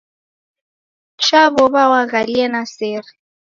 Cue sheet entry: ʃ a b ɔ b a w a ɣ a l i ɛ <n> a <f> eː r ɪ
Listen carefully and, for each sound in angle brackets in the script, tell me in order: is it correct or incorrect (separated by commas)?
correct, incorrect